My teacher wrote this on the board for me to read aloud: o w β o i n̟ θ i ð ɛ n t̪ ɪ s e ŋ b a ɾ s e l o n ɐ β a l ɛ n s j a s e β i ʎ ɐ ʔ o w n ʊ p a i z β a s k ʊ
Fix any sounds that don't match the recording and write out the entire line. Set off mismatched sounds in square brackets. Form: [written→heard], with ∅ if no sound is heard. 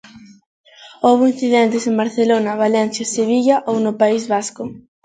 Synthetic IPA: o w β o i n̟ θ i ð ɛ n t̪ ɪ s e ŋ b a ɾ [s→θ] e l o n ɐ β a l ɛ n [s→θ] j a s e β i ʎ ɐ ʔ o w n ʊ p a i z β a s k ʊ

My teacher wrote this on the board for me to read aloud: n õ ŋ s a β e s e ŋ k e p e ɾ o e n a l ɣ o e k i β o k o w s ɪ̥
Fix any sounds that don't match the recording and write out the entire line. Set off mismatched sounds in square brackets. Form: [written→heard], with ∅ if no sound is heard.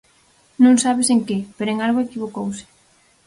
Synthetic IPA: n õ ŋ s a β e s e ŋ k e p e ɾ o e [n→ŋ] a l ɣ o e k i β o k o w s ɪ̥

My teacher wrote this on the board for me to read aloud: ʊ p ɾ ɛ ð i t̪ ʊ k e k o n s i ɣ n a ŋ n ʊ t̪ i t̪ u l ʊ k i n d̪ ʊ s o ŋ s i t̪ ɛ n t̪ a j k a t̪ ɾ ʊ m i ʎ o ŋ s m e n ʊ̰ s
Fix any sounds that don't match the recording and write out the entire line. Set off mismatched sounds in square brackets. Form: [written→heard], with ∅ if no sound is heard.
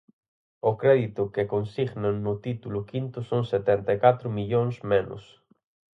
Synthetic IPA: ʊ [p→k] ɾ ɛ ð i t̪ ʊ k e k o n s i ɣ n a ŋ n ʊ t̪ i t̪ u l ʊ k i n [d̪→t̪] ʊ s o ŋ s [i→e] t̪ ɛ n t̪ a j k a t̪ ɾ ʊ m i ʎ o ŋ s m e n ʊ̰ s

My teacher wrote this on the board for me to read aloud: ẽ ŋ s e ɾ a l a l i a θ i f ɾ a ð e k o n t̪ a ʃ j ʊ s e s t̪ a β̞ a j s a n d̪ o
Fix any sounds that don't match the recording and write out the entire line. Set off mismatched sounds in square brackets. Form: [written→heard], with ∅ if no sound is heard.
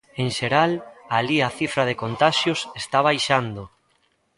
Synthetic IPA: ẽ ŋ [s→ʃ] e ɾ a l a l i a θ i f ɾ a ð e k o n t̪ a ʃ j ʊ s e s t̪ a β̞ a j [s→ʃ] a n d̪ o

